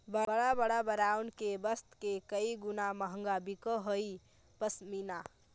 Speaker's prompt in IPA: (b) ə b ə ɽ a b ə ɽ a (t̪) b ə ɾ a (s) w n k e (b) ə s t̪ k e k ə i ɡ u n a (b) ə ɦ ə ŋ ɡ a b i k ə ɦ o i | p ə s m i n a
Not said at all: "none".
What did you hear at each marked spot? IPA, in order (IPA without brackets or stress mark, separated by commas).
b, none, none, b, m